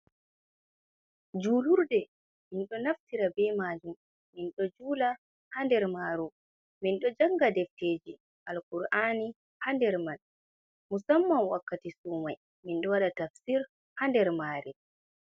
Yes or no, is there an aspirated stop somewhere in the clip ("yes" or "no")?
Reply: no